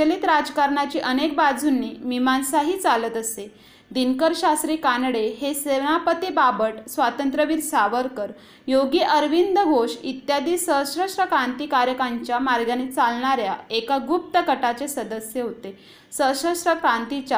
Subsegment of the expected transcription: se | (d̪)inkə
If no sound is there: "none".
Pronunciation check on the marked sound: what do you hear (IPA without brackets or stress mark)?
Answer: d̪